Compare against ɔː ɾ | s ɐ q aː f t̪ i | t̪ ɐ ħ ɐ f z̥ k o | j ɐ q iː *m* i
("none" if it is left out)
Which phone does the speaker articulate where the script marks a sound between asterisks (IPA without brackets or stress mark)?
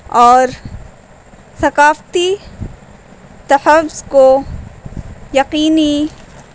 n